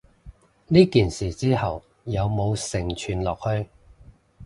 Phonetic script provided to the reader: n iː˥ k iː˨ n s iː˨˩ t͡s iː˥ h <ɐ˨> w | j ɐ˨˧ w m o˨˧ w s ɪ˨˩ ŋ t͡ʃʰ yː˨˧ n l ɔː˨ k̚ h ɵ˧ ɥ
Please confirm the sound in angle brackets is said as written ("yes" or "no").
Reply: yes